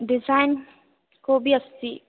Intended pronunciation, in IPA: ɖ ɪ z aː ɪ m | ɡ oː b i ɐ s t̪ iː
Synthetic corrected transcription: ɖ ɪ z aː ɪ n | k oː b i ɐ s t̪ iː